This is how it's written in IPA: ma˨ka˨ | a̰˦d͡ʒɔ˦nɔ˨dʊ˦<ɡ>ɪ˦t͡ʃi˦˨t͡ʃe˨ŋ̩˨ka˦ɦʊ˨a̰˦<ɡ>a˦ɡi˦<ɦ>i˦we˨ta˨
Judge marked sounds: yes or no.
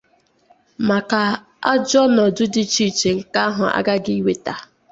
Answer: no, yes, no

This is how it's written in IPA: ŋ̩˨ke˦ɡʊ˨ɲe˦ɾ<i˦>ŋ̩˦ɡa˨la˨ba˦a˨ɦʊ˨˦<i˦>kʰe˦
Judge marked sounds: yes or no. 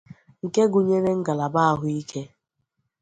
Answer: no, yes

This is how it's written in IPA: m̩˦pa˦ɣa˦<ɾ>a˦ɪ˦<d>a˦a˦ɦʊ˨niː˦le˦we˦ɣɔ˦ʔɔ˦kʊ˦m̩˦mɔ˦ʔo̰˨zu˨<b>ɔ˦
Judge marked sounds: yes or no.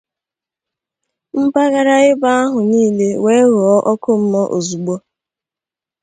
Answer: yes, no, no

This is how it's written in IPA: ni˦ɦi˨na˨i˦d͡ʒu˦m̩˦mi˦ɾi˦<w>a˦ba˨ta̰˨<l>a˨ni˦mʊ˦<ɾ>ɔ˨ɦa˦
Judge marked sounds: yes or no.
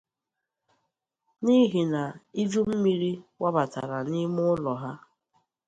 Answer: yes, no, no

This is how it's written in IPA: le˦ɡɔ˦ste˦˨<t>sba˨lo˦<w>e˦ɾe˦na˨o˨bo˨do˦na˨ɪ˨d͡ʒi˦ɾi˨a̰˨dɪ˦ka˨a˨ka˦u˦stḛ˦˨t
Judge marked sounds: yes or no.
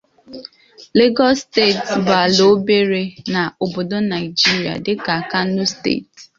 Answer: yes, no

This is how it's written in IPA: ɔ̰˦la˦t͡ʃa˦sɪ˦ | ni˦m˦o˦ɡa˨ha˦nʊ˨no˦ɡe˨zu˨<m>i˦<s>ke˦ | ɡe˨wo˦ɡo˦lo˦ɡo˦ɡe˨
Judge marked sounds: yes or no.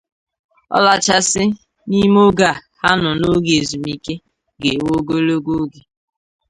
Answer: yes, no

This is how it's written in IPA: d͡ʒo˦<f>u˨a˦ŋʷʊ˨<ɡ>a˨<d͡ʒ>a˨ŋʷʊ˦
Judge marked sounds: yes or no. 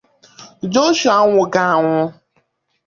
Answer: no, yes, no

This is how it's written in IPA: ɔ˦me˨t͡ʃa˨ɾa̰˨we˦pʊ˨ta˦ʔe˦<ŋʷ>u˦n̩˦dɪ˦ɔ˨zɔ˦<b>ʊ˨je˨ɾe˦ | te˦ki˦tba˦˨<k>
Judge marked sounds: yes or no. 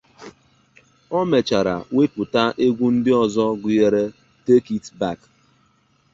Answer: no, no, yes

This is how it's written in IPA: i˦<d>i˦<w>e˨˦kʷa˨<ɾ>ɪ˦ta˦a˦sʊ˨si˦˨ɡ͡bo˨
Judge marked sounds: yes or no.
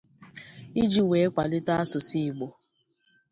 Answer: no, yes, no

